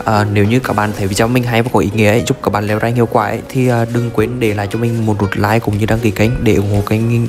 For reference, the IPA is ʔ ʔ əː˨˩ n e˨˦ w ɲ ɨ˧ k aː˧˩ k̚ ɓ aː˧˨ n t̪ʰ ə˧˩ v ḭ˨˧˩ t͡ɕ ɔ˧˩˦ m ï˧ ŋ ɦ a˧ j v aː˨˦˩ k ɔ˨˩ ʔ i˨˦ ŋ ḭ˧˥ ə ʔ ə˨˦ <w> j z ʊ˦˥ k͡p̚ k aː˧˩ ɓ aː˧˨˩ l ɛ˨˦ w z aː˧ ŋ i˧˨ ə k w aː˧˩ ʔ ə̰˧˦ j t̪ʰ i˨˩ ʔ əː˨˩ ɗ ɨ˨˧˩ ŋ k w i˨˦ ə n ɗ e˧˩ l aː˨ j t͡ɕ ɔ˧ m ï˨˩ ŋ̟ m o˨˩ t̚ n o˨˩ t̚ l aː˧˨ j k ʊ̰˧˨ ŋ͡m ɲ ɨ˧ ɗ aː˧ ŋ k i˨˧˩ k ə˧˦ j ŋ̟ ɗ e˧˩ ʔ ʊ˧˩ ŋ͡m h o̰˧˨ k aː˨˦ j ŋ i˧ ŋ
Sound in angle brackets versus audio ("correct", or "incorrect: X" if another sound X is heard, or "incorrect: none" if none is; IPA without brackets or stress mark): incorrect: none